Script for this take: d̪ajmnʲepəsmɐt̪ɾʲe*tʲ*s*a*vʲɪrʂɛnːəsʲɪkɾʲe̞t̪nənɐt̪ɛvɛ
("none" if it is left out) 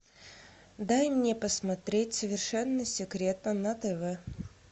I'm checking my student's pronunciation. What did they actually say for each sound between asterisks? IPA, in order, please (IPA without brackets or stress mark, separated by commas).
tʲ, ə